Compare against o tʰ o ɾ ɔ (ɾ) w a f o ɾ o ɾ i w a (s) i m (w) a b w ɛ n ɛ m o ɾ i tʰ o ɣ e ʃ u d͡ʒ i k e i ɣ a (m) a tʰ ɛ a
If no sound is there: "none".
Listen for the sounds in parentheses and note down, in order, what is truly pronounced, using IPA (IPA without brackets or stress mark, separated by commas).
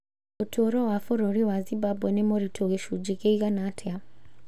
none, z, b, n